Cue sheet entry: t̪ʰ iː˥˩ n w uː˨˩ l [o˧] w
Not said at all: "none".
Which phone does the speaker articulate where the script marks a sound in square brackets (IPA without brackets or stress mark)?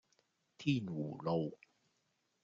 o˧